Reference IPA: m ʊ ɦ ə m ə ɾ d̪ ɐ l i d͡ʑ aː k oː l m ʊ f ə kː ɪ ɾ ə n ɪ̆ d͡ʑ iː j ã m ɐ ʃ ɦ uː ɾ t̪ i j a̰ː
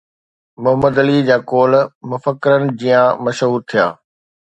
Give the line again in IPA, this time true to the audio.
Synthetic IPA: m ʊ ɦ ə m ə d̪ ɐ l i d͡ʑ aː k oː l m ʊ f ə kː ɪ ɾ ə n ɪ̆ d͡ʑ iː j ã m ɐ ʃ ɦ uː ɾ t̪ʰ i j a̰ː